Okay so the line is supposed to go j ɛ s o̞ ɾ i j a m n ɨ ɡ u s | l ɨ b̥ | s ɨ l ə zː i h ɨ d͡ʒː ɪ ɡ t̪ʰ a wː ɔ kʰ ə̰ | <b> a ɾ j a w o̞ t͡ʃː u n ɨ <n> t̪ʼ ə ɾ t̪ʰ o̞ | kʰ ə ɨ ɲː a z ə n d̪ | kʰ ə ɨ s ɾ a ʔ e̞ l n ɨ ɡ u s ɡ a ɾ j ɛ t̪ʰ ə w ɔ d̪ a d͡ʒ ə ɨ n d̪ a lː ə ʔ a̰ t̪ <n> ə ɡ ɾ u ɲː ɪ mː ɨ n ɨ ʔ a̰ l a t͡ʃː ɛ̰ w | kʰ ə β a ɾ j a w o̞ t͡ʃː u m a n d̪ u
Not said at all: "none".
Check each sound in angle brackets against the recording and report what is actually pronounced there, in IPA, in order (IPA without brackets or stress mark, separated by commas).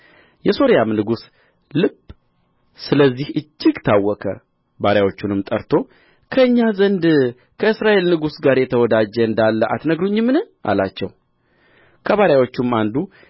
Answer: b, m, n